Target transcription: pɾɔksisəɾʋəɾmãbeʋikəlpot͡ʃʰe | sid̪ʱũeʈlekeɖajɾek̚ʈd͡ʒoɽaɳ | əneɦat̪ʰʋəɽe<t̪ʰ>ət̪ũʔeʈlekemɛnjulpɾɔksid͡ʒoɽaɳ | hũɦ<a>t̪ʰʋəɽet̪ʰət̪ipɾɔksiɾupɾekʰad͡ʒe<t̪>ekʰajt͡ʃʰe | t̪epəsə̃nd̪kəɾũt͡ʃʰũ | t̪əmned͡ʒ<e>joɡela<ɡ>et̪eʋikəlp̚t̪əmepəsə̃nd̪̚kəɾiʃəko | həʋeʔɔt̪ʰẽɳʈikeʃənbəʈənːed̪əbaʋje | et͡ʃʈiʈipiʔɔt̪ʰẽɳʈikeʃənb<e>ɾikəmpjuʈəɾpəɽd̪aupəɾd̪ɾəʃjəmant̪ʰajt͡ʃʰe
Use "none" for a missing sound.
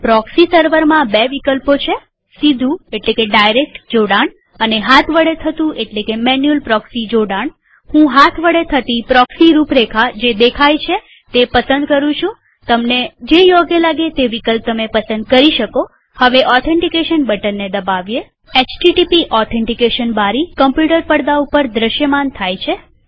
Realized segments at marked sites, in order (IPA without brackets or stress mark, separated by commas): t̪ʰ, a, d̪, e, ɡ, a